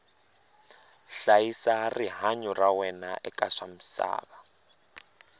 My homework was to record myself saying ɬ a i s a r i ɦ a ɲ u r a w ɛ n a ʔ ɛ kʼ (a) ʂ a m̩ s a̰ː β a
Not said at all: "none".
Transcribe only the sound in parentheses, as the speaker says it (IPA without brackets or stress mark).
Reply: a